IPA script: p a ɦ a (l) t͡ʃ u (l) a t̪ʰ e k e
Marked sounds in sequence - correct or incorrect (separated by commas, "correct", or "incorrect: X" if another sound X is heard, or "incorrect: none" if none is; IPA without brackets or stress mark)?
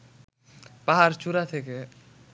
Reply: incorrect: ɾ, incorrect: ɾ